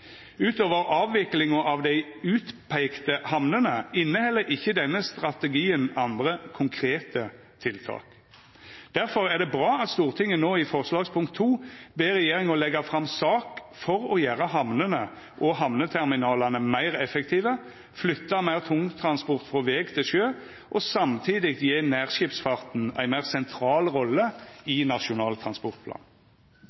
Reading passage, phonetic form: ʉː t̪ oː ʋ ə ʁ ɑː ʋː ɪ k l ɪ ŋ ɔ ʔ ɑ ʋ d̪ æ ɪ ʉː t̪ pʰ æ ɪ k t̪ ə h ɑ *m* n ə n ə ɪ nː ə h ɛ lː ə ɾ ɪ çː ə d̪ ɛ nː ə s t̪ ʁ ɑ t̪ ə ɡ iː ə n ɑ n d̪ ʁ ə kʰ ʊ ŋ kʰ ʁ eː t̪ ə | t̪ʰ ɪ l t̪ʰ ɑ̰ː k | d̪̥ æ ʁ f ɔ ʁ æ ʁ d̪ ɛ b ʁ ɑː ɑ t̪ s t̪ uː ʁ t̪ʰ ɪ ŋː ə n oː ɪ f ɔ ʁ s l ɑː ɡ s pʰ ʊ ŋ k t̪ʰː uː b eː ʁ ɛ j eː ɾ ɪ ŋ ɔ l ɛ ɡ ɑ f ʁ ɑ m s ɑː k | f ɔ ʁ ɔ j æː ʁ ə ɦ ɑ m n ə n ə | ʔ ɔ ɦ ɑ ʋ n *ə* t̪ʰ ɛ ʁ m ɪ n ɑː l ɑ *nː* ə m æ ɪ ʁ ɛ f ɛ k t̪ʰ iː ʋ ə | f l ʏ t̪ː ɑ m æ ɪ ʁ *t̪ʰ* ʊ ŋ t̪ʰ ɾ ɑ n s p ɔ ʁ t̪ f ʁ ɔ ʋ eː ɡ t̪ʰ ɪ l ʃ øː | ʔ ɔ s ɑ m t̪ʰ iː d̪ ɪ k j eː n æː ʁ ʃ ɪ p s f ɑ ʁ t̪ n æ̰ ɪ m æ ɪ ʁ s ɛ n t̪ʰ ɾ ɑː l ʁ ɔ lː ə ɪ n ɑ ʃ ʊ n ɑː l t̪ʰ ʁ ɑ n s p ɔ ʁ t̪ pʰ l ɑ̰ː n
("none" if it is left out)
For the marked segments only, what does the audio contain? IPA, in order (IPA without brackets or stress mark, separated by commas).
m, ə, n, t̪ʰ